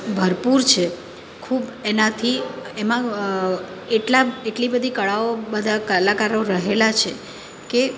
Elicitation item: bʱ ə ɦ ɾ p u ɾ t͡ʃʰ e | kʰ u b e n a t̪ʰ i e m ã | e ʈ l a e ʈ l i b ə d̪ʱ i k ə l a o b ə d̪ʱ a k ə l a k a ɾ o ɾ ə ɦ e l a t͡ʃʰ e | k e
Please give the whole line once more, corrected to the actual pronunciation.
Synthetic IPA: bʱ ə ɾ p u ɾ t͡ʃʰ e | kʰ u b e n a t̪ʰ i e m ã | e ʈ l a e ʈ l i b ə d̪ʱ i k ə ɭ a o b ə d̪ʱ a k ə l a k a ɾ o ɾ ə ɦ e l a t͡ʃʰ e | k e